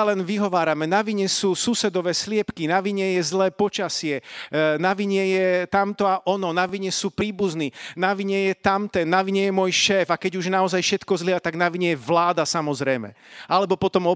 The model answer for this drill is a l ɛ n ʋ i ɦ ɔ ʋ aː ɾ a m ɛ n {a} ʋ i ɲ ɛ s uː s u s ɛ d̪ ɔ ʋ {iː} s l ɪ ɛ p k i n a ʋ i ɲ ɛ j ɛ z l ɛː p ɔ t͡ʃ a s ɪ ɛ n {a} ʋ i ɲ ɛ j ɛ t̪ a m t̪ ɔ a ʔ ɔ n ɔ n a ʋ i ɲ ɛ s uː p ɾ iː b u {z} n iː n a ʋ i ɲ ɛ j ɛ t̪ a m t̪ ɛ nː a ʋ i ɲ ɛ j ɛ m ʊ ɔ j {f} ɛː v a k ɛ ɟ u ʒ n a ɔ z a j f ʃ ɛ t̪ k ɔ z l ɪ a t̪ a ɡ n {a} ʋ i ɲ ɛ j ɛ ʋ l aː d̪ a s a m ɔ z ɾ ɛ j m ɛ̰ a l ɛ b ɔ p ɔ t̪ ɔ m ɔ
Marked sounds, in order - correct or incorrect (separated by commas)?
correct, incorrect, correct, correct, incorrect, correct